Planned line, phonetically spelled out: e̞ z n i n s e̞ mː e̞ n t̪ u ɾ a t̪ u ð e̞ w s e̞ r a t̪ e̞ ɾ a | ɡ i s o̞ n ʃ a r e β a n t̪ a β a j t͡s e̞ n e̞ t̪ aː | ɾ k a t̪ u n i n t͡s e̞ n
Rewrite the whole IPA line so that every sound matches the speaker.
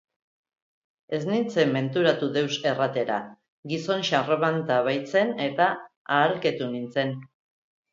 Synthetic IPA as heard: e̞ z n i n t͡s e̞ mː e̞ n t̪ u ɾ a t̪ u ð e̞ w s e̞ r a t̪ e̞ ɾ a | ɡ i s o̞ n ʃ a r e β a n t̪ a β a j t͡s e̞ n e̞ t̪ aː | ɾ k e t̪ u n i n t͡s e̞ n